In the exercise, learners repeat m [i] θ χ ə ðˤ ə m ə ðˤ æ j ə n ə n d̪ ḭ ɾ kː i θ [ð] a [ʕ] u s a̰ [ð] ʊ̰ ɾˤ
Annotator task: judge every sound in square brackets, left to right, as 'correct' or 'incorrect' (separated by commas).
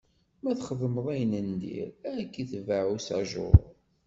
incorrect, incorrect, correct, incorrect